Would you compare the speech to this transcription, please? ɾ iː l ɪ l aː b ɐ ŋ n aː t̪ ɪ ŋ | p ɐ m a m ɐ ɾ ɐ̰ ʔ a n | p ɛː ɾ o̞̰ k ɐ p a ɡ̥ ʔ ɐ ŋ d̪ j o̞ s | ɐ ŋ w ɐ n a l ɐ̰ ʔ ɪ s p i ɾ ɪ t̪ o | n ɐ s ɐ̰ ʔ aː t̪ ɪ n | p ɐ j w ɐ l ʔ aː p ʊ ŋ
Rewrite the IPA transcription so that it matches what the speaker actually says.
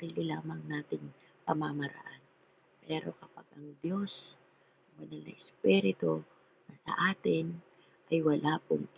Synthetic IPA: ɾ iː l ɪ l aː m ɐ ŋ n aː t̪ ɪ ŋ | p ɐ m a m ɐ ɾ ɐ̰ ʔ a n | p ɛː ɾ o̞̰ k ɐ p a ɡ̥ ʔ ɐ ŋ d̪ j o̞ s | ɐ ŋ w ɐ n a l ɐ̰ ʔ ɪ s p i ɾ ɪ t̪ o | n ɐ s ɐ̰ ʔ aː t̪ ɪ n | ʔ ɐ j w ɐ l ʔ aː p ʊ ŋ